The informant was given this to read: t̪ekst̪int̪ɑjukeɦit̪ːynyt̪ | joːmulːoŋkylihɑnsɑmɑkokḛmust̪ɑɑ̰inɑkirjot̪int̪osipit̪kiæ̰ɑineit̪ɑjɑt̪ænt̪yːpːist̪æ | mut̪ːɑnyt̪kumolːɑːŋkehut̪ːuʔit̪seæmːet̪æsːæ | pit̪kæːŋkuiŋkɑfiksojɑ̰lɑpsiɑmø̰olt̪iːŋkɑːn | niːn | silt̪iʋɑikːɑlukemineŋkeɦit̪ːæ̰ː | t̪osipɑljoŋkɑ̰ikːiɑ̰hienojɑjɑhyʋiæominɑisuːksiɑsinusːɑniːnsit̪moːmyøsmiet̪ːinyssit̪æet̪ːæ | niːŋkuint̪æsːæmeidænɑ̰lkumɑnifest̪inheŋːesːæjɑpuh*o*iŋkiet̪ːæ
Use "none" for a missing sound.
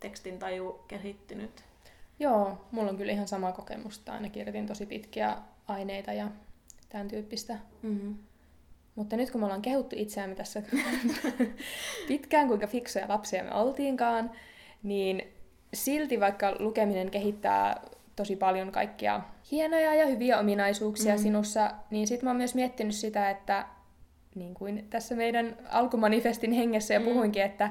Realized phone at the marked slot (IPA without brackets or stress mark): u